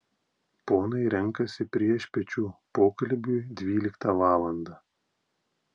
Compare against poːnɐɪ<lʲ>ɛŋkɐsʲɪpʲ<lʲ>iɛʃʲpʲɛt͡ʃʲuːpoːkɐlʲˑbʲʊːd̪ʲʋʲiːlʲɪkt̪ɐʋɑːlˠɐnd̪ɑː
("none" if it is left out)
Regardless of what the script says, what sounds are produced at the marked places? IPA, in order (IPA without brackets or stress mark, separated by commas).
ɾʲ, ɾʲ